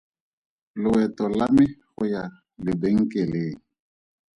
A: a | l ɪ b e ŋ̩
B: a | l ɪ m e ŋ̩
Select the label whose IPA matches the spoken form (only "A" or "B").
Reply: A